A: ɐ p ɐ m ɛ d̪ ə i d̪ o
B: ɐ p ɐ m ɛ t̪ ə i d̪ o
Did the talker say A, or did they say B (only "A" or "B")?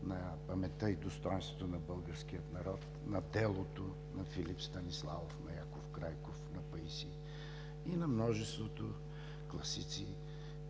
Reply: B